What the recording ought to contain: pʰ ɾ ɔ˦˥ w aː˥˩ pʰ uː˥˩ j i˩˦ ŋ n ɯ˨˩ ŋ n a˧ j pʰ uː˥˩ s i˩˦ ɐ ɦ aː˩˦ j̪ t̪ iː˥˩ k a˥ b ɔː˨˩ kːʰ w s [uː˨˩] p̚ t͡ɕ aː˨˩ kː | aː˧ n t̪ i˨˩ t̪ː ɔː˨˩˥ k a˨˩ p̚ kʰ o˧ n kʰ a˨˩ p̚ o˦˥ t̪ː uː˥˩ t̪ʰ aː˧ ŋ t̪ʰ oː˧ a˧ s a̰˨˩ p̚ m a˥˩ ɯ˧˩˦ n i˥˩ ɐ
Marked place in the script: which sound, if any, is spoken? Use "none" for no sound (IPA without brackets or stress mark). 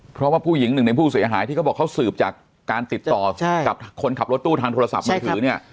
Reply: ɯː˨˩